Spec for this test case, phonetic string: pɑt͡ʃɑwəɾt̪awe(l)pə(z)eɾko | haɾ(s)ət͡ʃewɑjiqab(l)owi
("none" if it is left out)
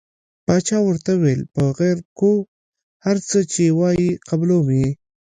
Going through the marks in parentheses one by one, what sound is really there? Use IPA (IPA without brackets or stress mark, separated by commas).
l, ɣ, t͡s, l